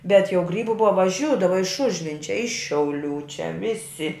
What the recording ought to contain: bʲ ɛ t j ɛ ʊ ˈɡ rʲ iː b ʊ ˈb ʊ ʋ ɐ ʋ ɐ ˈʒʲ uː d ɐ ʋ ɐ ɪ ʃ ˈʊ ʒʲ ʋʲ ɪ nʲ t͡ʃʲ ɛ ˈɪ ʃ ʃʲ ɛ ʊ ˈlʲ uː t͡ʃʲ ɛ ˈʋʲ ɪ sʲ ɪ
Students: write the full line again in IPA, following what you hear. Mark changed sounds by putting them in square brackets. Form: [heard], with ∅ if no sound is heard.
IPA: bʲ ɛ t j ɛ ʊ ˈɡ rʲ iː b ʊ ˈb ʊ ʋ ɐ ʋ ɐ ˈʒʲ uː d ɐ ʋ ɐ ɪ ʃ ˈʊ ʒʲ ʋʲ ɪ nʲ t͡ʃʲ ɛ ˈɪ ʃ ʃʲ ɛ ʊ ˈlʲ uː t͡ʃʲ ɛ ˈʋʲ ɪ sʲ ɪ